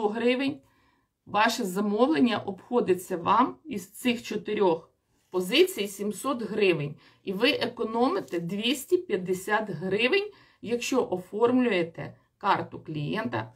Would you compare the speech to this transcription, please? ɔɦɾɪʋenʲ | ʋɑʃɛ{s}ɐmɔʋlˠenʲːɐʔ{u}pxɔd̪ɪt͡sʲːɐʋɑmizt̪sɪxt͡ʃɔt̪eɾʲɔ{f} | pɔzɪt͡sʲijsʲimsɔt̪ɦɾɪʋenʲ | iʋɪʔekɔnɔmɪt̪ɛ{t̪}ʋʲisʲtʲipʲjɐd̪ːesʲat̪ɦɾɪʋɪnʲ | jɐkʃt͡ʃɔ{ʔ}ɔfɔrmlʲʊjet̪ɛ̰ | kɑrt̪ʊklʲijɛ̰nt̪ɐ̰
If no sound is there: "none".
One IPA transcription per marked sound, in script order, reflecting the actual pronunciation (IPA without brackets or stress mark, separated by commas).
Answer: z, ɔ, x, d̪, ʔ